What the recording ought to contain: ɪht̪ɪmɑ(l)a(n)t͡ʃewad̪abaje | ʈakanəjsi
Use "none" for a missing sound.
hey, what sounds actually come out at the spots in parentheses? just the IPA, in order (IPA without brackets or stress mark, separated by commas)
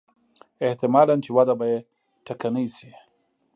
l, n